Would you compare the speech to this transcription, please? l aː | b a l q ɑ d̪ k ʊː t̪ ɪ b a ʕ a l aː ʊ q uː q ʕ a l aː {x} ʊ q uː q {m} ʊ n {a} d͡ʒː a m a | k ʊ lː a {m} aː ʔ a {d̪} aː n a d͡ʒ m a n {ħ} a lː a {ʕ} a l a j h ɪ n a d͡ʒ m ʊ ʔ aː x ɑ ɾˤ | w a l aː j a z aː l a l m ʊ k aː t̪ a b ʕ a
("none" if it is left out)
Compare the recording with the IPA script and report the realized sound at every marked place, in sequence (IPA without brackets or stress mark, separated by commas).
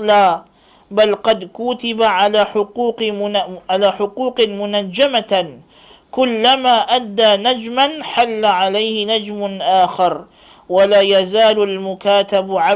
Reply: ħ, m, a, m, d̪ː, ħ, ʕ